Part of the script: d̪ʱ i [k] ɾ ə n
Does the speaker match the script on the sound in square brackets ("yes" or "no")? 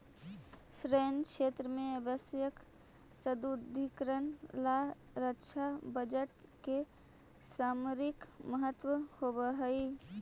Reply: yes